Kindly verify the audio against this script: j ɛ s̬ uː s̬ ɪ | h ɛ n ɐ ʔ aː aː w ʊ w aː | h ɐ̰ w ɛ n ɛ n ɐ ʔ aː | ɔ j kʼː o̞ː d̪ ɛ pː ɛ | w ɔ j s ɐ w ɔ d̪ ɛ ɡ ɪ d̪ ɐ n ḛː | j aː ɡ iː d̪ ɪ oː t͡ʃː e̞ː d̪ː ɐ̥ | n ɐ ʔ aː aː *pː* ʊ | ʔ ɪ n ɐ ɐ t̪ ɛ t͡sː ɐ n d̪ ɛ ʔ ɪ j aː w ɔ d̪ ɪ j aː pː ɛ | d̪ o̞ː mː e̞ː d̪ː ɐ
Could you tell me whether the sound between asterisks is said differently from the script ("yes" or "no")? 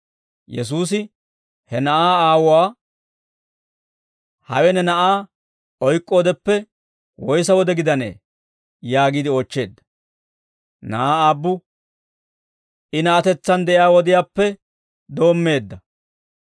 yes